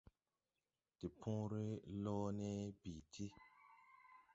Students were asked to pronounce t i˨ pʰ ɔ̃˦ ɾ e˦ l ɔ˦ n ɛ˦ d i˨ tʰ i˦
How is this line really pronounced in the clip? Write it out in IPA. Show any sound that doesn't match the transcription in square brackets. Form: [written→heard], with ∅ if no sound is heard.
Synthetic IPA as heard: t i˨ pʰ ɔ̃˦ ɾ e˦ l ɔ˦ n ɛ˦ [d→b] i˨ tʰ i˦

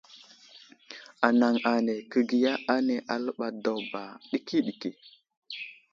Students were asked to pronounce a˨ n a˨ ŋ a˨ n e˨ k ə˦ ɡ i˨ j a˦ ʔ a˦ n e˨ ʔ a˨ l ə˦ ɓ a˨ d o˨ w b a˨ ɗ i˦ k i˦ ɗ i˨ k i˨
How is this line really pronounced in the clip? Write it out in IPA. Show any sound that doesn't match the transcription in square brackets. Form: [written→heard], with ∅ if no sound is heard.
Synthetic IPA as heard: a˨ n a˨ ŋ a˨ n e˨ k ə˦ ɡ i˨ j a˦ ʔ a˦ n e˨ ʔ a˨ l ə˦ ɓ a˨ d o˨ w b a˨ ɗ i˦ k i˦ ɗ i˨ k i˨

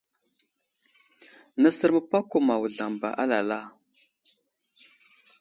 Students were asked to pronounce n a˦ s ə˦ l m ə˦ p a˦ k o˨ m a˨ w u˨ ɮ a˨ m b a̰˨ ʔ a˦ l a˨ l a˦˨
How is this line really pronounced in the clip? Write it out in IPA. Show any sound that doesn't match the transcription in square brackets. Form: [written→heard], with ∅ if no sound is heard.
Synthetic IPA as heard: n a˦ s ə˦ [l→ɾ] m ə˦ p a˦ k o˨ m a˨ w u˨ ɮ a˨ m b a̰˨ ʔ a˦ l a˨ l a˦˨

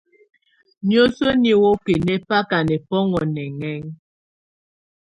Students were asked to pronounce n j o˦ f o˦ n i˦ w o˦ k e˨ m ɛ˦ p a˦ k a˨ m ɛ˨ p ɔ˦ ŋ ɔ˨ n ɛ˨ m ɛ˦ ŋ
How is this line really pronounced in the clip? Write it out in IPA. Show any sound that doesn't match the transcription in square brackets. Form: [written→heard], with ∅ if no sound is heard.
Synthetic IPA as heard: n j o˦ [f→s] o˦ n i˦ w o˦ k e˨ [m→n] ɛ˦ p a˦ k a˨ [m→n] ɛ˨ p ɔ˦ ŋ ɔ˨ n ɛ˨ [m→ŋ] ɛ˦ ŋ

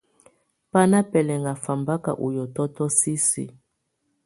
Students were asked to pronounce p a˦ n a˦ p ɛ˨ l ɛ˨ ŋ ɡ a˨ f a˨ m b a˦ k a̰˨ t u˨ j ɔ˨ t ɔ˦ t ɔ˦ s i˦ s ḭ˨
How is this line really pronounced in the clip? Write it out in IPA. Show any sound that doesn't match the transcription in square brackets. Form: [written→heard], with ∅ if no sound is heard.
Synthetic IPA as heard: p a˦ n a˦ p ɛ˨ l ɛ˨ ŋ ɡ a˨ f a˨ m b a˦ k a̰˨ [t→ʔ] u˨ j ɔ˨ t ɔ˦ t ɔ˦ s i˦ s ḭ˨

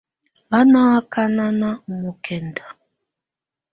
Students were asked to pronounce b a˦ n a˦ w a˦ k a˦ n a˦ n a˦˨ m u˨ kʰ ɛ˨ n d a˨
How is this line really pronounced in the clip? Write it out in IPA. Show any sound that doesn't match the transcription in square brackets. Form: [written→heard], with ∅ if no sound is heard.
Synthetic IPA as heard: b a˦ n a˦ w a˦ k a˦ n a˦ n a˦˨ m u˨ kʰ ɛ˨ n d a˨

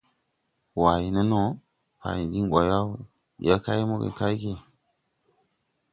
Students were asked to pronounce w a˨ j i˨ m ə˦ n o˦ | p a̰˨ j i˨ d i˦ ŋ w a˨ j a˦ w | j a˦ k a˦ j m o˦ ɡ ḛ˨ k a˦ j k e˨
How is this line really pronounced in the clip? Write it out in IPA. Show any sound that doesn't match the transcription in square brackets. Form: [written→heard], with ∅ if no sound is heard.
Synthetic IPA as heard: w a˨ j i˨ [m→n] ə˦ n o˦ | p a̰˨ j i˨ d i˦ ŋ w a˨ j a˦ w | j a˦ k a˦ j m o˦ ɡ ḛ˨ k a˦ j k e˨

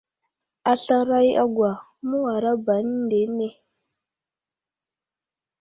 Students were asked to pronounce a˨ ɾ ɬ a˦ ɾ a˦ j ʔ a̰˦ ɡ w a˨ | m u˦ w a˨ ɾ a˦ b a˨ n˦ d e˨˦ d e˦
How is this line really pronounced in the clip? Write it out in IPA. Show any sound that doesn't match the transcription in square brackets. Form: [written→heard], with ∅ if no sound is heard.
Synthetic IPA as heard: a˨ [ɾ→∅] ɬ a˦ ɾ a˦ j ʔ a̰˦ ɡ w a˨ | m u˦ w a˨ ɾ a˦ b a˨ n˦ d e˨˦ [d→n] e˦

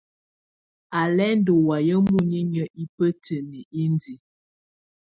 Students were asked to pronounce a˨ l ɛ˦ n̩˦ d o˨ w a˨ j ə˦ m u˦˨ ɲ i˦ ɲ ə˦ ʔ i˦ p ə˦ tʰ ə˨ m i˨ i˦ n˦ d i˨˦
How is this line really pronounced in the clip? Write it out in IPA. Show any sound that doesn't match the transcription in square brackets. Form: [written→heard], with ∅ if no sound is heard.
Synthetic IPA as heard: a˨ l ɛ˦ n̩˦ d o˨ w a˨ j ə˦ m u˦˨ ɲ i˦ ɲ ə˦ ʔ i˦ p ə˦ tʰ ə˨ [m→n] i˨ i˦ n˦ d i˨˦

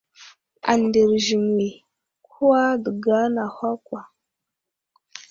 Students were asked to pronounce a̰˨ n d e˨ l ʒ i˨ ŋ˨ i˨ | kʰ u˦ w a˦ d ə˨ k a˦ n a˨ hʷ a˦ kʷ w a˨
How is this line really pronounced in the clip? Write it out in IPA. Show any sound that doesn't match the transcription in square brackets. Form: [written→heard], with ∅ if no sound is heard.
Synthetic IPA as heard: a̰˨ n d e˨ [l→ɾ] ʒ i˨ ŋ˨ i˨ | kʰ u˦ w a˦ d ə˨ [k→ɡ] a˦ n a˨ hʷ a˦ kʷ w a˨

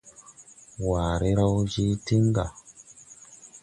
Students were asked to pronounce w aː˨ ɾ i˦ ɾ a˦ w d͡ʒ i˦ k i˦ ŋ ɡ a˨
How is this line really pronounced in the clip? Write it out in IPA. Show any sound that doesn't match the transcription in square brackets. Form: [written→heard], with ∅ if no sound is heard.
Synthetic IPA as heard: w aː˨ ɾ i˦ ɾ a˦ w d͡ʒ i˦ [k→t] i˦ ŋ ɡ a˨

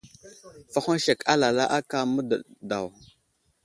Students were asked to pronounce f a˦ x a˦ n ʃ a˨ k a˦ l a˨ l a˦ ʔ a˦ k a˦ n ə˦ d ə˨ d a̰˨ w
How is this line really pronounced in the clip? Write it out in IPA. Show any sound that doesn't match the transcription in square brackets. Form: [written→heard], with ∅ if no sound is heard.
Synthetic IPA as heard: f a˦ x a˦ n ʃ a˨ k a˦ l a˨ l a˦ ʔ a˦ k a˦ [n→m] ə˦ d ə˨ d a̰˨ w

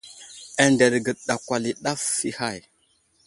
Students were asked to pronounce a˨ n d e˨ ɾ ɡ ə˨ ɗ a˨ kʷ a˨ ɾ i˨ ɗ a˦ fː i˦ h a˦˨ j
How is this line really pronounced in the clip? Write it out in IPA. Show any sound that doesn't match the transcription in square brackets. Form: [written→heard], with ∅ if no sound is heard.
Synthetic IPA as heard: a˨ n d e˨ ɾ ɡ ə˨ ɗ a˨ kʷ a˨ [ɾ→l] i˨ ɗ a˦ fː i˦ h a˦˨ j

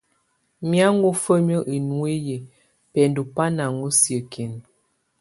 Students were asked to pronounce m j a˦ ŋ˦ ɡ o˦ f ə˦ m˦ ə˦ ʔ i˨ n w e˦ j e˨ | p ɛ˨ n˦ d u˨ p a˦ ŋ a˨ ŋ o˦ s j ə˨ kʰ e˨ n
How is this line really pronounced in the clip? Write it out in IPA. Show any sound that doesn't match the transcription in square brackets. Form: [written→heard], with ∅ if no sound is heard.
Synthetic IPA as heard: m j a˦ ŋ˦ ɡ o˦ f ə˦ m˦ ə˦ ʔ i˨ n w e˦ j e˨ | p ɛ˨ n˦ d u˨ p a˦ [ŋ→n] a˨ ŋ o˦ s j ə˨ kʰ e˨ n

